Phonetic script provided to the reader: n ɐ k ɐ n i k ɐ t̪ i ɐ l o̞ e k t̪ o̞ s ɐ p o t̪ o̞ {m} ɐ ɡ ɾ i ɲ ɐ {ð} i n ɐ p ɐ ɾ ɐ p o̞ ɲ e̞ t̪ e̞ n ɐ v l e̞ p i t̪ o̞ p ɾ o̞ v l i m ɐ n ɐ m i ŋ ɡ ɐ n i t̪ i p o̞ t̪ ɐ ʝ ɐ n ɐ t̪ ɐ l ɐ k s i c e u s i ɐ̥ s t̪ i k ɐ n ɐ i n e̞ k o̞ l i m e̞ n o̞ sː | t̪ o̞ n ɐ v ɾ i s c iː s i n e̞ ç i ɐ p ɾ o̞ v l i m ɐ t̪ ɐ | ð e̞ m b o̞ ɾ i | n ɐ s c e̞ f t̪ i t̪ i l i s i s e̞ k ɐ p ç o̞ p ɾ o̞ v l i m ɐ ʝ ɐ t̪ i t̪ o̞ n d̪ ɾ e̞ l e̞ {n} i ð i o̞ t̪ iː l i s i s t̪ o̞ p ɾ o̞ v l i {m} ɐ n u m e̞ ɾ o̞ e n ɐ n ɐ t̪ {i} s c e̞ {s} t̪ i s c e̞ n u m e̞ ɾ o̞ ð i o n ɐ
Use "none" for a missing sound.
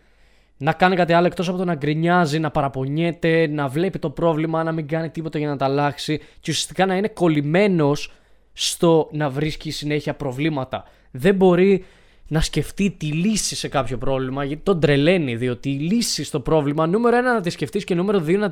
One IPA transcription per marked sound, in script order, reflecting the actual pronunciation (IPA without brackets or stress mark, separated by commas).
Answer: n, z, n, m, i, f